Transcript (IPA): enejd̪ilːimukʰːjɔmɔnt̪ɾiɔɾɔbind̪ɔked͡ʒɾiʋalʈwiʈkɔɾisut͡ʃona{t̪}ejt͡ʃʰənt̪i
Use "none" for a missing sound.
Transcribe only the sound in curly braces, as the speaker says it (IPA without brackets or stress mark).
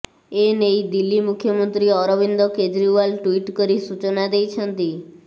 d̪